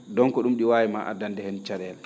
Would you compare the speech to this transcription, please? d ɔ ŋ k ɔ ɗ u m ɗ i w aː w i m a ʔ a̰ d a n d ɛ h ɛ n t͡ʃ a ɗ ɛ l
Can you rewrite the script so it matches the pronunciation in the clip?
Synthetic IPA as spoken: d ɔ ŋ k ɔ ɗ u m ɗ i w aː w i m a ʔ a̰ d a n d ɛ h ɛ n t͡ʃ a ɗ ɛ l